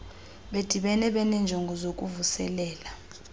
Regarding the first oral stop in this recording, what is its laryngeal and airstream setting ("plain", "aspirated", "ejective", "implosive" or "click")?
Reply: implosive